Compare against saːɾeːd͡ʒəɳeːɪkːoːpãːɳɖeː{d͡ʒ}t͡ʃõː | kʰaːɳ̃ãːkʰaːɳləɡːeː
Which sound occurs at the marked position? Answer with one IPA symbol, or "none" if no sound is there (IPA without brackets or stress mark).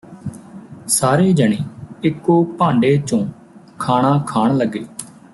none